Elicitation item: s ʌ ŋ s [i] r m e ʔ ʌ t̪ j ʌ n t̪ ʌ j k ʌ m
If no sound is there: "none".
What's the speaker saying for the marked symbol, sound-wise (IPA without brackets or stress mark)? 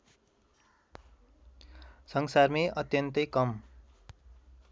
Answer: a